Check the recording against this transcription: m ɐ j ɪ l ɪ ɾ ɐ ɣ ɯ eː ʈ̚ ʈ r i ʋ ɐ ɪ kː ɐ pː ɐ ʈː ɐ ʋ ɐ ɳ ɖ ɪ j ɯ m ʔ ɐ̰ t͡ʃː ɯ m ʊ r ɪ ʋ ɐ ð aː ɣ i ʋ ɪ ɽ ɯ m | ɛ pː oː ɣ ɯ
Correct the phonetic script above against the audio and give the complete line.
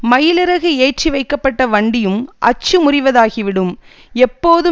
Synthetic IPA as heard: m ɐ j ɪ l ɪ ɾ ɐ ɣ ɯ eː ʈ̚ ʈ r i ʋ ɐ ɪ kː ɐ pː ɐ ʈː ɐ ʋ ɐ ɳ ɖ ɪ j ɯ m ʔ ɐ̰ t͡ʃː ɯ m ʊ r ɪ ʋ ɐ ð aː ɣ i ʋ ɪ ɽ ɯ m | ɛ pː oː ð ɯ